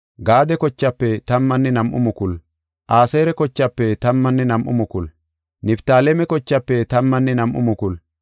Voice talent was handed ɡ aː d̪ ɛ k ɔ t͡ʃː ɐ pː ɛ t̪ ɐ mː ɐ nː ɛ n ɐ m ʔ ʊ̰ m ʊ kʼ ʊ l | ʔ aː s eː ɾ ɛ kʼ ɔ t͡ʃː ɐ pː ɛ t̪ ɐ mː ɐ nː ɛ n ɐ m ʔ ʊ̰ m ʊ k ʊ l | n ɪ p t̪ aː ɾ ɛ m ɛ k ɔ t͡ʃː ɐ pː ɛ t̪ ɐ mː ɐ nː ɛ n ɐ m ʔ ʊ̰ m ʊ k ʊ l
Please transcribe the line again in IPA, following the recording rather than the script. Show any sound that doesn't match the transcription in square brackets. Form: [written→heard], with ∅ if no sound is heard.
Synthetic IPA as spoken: ɡ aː d̪ ɛ k ɔ t͡ʃː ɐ pː ɛ t̪ ɐ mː ɐ nː ɛ n ɐ m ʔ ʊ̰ m ʊ [kʼ→k] ʊ l | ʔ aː s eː ɾ ɛ [kʼ→k] ɔ t͡ʃː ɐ pː ɛ t̪ ɐ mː ɐ nː ɛ n ɐ m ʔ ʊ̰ m ʊ k ʊ l | n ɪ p t̪ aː [ɾ→l] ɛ m ɛ k ɔ t͡ʃː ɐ pː ɛ t̪ ɐ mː ɐ nː ɛ n ɐ m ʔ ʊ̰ m ʊ k ʊ l